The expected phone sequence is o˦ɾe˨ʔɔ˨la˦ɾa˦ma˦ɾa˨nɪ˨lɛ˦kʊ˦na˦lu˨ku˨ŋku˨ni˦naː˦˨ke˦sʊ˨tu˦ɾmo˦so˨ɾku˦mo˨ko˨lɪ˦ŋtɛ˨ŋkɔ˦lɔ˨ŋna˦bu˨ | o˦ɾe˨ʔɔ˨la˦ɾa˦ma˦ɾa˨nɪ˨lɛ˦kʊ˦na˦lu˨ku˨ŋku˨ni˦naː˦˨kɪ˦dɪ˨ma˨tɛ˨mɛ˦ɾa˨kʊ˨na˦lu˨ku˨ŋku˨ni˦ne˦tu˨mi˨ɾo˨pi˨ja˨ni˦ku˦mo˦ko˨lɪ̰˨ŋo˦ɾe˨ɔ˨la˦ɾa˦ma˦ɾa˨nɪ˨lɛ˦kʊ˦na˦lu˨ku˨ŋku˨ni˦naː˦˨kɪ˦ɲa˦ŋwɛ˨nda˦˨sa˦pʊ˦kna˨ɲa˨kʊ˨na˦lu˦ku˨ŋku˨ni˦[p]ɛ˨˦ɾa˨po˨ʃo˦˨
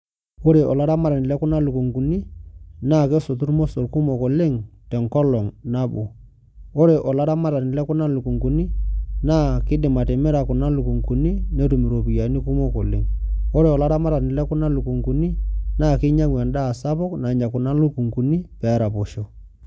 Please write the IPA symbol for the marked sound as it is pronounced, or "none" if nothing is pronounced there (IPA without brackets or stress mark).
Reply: p